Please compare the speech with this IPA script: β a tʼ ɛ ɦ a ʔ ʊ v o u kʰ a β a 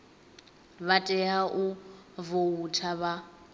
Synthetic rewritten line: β a tʼ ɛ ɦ a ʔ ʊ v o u tʰ a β a